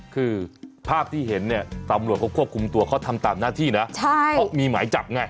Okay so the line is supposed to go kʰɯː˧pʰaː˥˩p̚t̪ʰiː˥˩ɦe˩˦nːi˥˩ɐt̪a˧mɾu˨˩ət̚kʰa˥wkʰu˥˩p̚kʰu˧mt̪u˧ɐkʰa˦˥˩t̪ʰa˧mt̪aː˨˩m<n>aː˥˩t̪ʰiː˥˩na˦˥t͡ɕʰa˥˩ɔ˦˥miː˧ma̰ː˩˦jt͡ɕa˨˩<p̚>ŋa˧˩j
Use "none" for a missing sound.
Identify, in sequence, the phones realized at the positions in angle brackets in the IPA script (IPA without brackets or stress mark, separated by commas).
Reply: n, p̚